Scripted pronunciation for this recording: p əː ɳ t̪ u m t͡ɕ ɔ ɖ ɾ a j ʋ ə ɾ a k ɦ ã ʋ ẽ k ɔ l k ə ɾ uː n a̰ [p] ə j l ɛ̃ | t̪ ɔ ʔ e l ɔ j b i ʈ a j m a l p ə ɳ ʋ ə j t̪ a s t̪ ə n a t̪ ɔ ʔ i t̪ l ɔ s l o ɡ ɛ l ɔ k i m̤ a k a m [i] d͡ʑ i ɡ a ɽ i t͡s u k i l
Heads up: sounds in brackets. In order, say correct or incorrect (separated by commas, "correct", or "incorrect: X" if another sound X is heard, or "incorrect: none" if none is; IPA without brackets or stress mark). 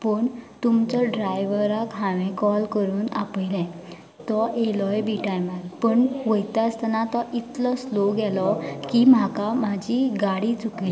correct, incorrect: a